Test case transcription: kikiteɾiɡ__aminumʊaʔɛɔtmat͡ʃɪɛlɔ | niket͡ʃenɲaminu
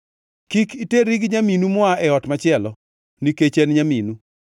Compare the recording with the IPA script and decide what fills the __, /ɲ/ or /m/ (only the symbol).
ɲ